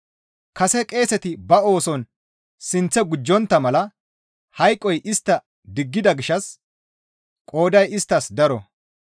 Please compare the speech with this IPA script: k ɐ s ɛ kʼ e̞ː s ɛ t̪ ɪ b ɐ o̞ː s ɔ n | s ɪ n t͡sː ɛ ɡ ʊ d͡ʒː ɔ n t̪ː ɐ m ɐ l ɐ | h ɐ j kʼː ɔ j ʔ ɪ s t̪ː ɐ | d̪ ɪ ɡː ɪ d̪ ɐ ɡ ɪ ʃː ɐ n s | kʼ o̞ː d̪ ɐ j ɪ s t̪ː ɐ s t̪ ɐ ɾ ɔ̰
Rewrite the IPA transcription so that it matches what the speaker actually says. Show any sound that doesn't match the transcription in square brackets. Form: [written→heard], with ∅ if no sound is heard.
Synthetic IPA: k ɐ s ɛ kʼ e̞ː s ɛ t̪ ɪ b ɐ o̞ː s ɔ n | s ɪ n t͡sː ɛ ɡ ʊ d͡ʒː ɔ n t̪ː ɐ m ɐ l ɐ | h ɐ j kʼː ɔ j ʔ ɪ s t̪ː ɐ | d̪ ɪ ɡː ɪ d̪ ɐ ɡ ɪ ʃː ɐ [n→∅] s | kʼ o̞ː d̪ ɐ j ɪ s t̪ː ɐ s [t̪→d̪] ɐ ɾ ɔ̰